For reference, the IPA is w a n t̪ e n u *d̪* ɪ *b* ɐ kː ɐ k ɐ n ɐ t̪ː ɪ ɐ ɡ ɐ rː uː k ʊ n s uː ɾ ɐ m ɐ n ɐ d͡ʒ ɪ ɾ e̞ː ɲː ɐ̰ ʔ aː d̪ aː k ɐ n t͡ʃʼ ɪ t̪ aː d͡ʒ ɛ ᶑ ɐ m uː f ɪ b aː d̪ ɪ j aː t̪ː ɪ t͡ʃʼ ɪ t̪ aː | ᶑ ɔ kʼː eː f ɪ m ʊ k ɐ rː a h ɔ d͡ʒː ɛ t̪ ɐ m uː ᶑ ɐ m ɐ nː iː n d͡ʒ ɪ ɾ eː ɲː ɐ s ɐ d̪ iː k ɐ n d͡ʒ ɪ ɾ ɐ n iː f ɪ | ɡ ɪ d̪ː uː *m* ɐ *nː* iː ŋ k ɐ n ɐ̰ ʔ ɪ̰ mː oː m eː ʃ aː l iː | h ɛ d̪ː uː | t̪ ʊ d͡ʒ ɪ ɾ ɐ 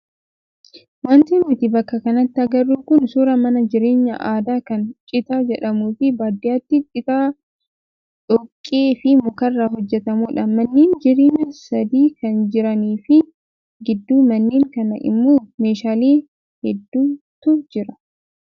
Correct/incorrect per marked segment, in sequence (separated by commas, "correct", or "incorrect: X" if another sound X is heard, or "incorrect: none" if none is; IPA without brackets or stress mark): incorrect: t̪, correct, correct, correct